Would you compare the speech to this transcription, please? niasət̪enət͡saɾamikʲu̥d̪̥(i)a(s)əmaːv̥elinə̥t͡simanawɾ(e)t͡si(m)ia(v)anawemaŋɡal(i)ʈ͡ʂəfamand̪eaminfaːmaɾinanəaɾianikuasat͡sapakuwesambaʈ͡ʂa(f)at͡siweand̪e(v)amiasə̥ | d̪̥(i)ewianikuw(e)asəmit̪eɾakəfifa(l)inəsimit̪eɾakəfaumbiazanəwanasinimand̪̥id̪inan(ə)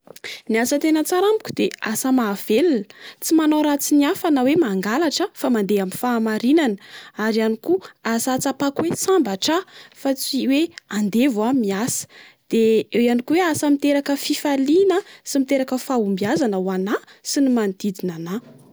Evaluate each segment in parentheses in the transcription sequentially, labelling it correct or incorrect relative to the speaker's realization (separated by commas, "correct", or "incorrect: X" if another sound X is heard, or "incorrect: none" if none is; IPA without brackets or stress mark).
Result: incorrect: e, correct, incorrect: a, incorrect: n, incorrect: f, incorrect: a, correct, correct, incorrect: e, correct, correct, incorrect: a